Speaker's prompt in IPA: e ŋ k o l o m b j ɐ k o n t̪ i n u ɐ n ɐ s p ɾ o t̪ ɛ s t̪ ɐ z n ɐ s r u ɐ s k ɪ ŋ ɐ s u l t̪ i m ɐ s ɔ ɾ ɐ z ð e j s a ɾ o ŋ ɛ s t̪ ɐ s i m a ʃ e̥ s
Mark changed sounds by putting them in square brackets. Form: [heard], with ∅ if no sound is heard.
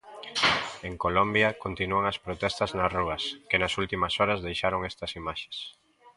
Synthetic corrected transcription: e ŋ k o l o m b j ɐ k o n t̪ i n u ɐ [ŋ] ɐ s p ɾ o t̪ ɛ s t̪ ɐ z n ɐ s r u ɐ s k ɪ [n] ɐ s u l t̪ i m ɐ s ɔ ɾ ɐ z ð e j [ʃ] a ɾ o ŋ ɛ s t̪ ɐ s i m a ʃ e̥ s